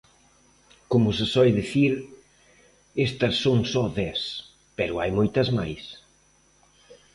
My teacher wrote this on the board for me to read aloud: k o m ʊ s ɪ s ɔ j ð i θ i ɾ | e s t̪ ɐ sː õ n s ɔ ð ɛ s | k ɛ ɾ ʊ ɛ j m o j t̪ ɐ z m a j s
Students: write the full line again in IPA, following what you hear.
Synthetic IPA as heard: k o m ʊ s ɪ s ɔ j ð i θ i ɾ | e s t̪ ɐ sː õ ŋ s ɔ ð ɛ s | p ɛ ɾ ʊ a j m o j t̪ ɐ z m a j s